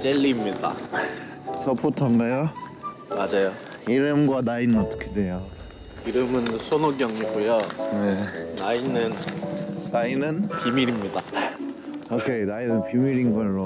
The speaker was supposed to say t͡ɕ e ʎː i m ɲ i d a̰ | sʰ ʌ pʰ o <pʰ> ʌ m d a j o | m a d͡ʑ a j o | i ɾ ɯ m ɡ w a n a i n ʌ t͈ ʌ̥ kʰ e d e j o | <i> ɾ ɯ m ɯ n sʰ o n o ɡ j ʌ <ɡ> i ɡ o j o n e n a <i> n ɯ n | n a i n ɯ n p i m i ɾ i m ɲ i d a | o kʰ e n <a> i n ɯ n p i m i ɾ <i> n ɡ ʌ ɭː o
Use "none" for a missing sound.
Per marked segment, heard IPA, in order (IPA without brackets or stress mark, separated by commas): tʰ, i, ŋ, i, a, i